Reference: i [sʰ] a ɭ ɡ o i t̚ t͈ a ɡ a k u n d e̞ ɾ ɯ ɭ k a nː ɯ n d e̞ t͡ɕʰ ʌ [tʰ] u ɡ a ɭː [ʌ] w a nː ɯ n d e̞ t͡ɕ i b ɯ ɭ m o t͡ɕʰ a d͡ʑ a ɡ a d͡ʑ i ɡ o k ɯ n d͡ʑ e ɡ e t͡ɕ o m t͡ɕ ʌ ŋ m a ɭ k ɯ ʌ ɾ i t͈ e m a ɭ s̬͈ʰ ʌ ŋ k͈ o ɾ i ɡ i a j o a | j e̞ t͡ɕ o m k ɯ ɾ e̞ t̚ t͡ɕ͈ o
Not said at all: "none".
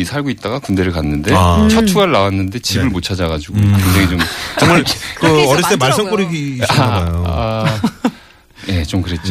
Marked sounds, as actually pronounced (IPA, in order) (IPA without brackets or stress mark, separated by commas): sʰ, tʰ, a